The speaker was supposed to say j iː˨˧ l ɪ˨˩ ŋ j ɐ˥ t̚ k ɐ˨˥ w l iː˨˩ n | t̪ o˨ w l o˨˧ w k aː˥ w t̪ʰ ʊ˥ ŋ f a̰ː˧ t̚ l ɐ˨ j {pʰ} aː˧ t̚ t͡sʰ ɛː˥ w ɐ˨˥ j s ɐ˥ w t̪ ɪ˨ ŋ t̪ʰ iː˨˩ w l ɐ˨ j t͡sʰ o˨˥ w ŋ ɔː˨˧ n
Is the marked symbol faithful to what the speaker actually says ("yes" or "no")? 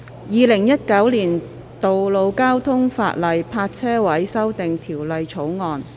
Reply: yes